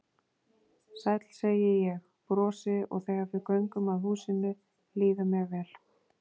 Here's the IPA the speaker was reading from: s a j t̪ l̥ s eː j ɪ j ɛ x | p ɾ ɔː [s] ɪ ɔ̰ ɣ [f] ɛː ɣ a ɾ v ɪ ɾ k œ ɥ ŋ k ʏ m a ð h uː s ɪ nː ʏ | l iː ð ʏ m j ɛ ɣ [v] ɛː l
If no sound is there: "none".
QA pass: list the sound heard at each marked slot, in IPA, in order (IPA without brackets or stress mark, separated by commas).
s, θ, v